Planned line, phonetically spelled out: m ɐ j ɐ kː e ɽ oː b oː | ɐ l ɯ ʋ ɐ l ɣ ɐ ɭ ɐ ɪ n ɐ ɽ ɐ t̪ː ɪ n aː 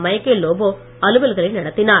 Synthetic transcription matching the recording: m ɐ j ɐ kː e l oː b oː | ɐ l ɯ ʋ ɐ l ɣ ɐ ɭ ɐ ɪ n ɐ ɽ ɐ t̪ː ɪ n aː